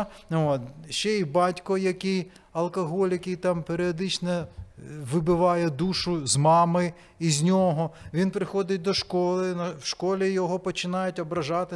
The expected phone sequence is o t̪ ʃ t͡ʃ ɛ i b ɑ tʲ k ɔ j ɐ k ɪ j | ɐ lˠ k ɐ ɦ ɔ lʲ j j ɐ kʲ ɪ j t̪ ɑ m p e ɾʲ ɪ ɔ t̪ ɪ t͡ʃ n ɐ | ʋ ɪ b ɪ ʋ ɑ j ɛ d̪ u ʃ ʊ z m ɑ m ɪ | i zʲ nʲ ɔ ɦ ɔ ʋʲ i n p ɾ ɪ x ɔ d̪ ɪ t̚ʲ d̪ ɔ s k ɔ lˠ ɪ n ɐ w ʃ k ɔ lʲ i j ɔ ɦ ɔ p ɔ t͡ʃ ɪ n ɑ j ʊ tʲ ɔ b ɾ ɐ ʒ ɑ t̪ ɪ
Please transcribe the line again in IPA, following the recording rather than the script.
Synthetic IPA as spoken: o t̪ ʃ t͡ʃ ɛ i b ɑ tʲ k ɔ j ɐ k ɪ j | ɐ lˠ k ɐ ɦ ɔ lʲ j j ɐ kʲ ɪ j t̪ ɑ m p e ɾʲ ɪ ɔ d̪ ɪ t͡ʃ n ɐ | ʋ ɪ b ɪ ʋ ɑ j ɛ d̪ u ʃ ʊ z m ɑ m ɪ | i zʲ nʲ ɔ ɦ ɔ ʋʲ i n p ɾ ɪ x ɔ d̪ ɪ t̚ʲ d̪ ɔ ʃ k ɔ lˠ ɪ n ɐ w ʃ k ɔ lʲ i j ɔ ɦ ɔ p ɔ t͡ʃ ɪ n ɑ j ʊ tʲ ɔ b ɾ ɐ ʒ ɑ t̪ ɪ